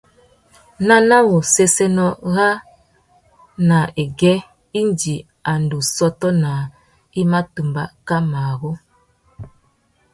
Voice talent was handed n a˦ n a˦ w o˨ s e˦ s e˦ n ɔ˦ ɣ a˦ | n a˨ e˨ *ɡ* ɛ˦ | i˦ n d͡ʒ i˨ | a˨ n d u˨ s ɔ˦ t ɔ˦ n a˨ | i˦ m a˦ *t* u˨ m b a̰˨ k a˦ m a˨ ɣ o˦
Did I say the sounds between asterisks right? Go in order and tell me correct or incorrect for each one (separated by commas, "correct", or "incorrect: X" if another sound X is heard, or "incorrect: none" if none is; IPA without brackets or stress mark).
correct, correct